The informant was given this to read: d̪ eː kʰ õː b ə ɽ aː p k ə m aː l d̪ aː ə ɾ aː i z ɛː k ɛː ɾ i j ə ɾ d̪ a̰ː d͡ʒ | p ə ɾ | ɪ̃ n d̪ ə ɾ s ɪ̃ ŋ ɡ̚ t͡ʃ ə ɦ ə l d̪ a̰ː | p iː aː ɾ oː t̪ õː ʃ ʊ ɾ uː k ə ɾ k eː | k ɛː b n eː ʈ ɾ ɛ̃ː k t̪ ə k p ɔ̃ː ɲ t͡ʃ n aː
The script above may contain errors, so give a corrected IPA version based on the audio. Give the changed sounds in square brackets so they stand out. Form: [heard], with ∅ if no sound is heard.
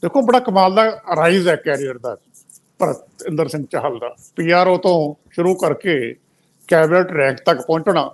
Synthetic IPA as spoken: d̪ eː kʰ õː b ə ɽ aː [∅] k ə m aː l d̪ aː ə ɾ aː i z ɛː k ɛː ɾ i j ə ɾ d̪ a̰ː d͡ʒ | p ə ɾ | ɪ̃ n d̪ ə ɾ s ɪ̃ ŋ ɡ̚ t͡ʃ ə ɦ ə l d̪ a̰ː | p iː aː ɾ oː t̪ õː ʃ ʊ ɾ uː k ə ɾ k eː | k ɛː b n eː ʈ ɾ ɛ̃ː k t̪ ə k p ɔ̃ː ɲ t͡ʃ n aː